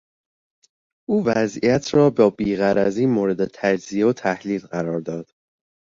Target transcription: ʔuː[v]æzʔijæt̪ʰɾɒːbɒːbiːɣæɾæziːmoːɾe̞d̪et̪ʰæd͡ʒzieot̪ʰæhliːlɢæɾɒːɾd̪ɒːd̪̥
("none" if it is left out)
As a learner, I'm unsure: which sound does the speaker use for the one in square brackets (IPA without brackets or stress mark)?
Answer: v